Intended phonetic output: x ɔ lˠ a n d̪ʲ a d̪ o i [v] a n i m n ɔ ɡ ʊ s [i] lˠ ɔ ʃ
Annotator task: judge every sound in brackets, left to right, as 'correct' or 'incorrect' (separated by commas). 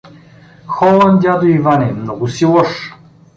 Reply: correct, correct